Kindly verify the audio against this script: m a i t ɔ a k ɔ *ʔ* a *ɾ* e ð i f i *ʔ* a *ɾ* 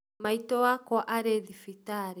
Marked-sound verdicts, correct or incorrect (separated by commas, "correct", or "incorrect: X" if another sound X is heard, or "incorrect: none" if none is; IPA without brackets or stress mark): correct, correct, incorrect: t, correct